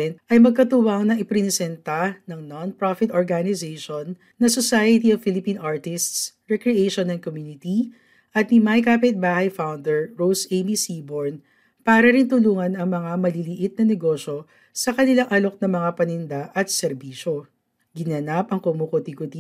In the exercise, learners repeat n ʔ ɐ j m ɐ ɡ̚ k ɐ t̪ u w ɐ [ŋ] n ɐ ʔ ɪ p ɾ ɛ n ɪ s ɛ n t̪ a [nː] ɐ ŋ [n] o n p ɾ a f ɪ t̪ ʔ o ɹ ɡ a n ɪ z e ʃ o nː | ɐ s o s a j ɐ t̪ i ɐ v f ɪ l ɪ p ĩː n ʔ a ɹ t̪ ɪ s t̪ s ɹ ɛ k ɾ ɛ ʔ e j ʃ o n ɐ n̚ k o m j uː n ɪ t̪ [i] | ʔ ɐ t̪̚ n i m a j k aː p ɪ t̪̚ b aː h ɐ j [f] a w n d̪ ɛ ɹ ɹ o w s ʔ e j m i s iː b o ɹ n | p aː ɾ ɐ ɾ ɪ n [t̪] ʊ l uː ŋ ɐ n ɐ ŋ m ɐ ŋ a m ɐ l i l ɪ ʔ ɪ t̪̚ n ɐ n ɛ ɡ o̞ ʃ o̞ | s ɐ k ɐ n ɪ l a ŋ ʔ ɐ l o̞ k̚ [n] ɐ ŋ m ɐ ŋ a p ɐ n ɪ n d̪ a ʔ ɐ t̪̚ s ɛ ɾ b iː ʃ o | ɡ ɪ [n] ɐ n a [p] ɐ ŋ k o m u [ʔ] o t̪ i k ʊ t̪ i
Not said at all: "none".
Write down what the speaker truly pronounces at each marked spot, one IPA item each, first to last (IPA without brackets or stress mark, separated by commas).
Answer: ŋ, n, n, i, f, t̪, n, n, p, k